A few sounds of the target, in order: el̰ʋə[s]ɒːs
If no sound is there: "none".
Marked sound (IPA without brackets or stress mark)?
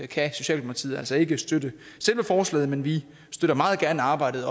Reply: f